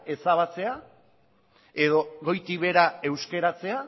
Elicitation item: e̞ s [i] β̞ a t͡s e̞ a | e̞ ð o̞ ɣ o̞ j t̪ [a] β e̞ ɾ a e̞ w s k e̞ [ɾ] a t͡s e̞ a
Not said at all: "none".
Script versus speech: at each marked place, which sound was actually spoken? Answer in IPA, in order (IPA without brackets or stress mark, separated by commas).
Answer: a, i, ɾ